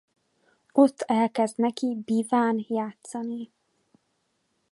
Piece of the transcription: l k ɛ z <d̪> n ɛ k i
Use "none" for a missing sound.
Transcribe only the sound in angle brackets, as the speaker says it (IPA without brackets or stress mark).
d̪